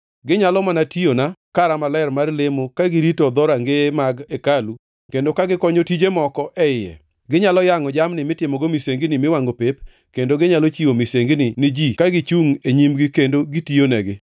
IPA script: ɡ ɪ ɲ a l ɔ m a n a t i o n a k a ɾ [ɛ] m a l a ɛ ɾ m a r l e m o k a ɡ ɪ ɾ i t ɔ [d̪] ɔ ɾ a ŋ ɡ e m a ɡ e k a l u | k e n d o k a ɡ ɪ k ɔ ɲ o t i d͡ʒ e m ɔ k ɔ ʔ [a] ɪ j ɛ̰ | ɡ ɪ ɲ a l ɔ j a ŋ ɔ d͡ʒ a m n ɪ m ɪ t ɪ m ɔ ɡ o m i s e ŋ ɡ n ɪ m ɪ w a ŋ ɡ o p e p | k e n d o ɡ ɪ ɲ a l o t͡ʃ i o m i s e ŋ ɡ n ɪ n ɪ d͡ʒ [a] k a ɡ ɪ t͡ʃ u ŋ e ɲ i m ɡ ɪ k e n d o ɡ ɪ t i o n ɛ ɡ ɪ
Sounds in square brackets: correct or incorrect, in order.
incorrect: a, correct, incorrect: ɛ, incorrect: i

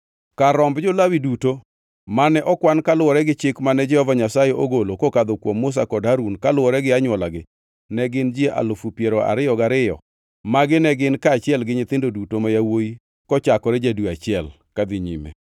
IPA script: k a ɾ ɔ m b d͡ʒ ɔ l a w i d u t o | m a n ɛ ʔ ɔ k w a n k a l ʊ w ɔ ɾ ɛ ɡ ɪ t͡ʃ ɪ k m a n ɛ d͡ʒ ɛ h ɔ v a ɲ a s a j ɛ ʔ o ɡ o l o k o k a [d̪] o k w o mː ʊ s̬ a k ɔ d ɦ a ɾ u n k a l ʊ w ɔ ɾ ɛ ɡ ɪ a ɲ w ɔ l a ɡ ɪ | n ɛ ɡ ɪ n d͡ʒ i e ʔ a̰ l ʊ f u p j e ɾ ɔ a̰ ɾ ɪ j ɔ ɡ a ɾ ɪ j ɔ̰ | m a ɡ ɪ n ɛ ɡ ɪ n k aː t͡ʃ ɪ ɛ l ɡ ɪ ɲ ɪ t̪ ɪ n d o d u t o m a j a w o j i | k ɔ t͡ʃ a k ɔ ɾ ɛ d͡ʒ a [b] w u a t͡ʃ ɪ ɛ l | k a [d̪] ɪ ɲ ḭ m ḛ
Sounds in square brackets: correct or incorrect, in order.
correct, incorrect: d, correct

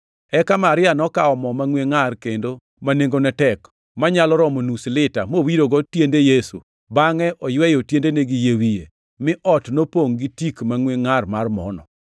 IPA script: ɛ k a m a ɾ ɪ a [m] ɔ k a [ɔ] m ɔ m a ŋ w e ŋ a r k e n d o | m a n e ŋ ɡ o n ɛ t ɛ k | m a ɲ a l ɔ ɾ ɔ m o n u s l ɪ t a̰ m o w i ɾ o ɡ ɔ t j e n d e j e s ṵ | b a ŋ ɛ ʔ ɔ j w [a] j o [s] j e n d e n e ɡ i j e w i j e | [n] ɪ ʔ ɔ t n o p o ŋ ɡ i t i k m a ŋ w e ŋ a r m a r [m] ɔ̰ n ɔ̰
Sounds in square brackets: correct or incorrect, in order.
incorrect: n, correct, incorrect: ɛ, incorrect: t, incorrect: m, correct

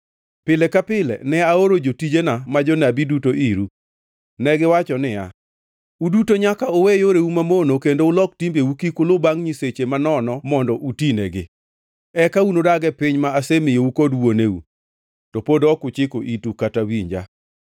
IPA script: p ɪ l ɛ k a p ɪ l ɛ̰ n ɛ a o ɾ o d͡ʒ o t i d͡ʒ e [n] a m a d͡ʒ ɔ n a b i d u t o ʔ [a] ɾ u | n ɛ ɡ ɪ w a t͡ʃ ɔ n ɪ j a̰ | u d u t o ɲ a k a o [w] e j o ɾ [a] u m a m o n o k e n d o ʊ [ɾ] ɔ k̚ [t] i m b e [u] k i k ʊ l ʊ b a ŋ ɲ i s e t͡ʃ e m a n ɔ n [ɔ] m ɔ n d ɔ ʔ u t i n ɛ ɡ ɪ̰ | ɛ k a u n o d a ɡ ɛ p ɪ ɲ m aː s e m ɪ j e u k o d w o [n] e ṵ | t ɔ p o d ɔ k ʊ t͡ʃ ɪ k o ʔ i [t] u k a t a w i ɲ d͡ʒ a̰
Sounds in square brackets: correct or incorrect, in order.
correct, incorrect: i, correct, incorrect: e, incorrect: l, correct, correct, correct, correct, correct

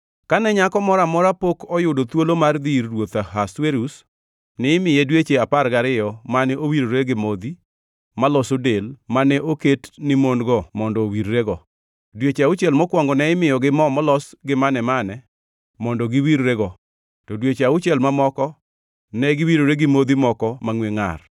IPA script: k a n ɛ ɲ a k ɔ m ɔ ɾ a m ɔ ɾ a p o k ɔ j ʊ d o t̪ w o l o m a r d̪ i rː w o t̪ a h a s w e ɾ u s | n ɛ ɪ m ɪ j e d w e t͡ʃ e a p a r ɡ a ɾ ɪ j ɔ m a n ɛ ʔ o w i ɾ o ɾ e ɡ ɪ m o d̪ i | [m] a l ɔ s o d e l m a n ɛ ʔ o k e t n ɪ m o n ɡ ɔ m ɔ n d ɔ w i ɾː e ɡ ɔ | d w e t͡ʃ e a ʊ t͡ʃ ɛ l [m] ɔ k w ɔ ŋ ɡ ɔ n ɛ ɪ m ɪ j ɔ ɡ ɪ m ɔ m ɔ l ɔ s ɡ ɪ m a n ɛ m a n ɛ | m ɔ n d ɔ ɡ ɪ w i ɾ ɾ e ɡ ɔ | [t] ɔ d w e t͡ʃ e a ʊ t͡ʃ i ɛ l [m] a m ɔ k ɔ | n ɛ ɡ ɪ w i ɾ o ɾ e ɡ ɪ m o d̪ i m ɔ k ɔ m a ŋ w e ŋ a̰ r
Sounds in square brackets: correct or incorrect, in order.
correct, correct, correct, correct

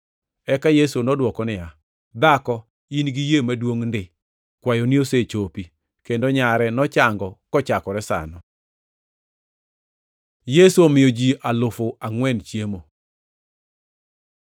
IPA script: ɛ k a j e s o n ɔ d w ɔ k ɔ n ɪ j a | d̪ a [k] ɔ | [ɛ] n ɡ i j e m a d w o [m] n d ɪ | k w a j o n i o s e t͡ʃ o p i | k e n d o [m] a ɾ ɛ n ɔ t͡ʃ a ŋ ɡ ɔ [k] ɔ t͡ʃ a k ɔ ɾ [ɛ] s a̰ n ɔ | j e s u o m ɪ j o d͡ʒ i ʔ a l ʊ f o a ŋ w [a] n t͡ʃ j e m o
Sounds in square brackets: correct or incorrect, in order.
correct, incorrect: i, incorrect: ŋ, incorrect: ɲ, correct, correct, incorrect: ɛ

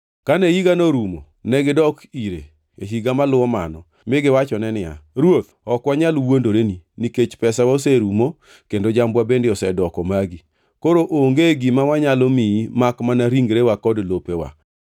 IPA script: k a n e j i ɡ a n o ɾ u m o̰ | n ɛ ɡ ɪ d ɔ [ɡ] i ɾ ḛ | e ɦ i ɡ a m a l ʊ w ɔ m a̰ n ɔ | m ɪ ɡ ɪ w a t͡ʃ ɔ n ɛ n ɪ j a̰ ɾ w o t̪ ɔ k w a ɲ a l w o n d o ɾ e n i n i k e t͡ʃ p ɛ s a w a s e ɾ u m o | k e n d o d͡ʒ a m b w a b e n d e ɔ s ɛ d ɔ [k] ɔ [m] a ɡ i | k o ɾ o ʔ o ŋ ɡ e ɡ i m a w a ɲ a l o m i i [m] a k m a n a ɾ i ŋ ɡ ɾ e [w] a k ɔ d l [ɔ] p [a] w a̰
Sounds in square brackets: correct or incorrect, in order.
incorrect: k, correct, correct, correct, correct, incorrect: o, incorrect: e

